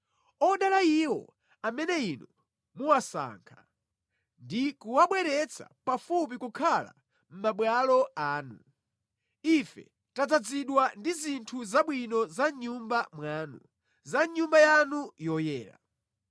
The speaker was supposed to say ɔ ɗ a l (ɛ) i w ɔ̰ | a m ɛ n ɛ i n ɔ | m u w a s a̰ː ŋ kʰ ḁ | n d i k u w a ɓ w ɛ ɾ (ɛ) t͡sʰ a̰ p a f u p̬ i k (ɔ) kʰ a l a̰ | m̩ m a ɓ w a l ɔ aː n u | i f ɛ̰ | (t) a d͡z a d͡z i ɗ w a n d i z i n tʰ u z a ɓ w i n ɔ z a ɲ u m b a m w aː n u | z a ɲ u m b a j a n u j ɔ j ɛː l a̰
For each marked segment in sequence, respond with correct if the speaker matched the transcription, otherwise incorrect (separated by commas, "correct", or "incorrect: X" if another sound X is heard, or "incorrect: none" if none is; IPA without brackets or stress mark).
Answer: incorrect: a, correct, incorrect: u, correct